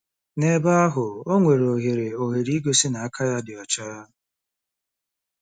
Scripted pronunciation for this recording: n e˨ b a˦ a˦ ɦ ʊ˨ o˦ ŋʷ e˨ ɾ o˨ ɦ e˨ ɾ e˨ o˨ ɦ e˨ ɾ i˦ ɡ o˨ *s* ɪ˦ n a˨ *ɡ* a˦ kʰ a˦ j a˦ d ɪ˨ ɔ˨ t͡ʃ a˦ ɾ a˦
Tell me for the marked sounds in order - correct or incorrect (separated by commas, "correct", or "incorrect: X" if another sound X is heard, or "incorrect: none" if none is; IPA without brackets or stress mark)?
correct, incorrect: none